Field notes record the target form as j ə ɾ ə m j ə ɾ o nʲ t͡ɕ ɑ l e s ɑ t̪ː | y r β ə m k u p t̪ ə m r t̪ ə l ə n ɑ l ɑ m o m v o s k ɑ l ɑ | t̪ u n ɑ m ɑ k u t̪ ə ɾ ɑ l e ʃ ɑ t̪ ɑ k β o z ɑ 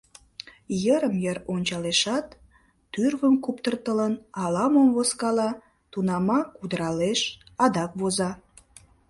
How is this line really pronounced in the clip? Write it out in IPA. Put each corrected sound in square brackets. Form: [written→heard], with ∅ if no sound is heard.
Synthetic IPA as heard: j ə ɾ ə m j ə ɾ o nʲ t͡ɕ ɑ l e [s→ʃ] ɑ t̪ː | y r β ə m k u p t̪ ə [m→∅] r t̪ ə l ə n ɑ l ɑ m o m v o s k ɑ l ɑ | t̪ u n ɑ m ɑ k u [t̪→d̪] ə ɾ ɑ l e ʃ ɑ [t̪→d̪] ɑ k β o z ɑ